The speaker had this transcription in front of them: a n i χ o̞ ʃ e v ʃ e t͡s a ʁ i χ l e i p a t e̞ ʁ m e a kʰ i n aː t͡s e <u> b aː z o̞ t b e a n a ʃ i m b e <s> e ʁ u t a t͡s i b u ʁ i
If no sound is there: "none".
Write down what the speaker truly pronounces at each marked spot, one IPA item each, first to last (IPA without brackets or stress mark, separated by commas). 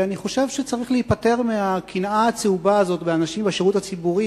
u, ʃ